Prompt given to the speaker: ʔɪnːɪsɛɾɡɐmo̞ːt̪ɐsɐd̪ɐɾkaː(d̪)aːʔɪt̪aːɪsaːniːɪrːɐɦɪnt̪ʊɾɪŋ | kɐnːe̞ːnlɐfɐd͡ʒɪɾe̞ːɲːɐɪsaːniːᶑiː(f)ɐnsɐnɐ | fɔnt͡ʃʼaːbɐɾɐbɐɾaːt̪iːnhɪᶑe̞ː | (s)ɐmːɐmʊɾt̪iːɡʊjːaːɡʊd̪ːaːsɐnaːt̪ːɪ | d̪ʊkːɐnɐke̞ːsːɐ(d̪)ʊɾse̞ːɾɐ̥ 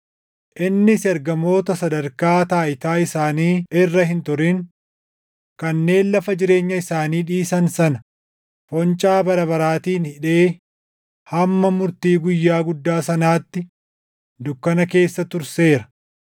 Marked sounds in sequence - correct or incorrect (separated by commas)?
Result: incorrect, incorrect, incorrect, incorrect